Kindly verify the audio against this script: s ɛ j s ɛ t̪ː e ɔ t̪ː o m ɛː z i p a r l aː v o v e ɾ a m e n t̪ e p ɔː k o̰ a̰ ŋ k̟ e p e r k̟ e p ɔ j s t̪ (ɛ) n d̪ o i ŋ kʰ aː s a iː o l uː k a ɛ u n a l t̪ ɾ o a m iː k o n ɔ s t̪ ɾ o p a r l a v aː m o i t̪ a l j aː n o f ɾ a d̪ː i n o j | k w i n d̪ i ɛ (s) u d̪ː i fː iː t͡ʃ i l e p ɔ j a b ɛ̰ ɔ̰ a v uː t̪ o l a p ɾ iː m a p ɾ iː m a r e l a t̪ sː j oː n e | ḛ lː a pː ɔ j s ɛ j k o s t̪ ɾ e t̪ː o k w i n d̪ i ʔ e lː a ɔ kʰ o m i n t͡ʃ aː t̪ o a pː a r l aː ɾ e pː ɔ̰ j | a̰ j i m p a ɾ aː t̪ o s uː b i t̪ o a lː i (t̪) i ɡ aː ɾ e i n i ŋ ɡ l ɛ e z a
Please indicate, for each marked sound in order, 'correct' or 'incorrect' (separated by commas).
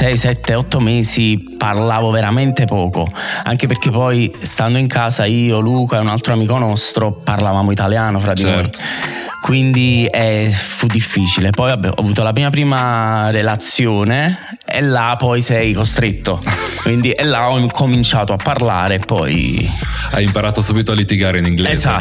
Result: incorrect, incorrect, correct